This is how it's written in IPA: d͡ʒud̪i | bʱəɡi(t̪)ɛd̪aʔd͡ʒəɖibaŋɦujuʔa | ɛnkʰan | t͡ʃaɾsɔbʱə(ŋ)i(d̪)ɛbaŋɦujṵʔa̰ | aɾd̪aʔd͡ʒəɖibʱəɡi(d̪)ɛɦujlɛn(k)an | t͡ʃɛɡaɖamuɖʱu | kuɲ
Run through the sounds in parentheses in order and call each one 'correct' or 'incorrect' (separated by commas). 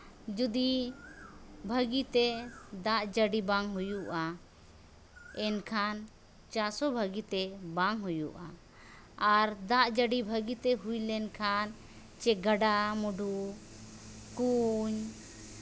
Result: correct, incorrect, incorrect, incorrect, incorrect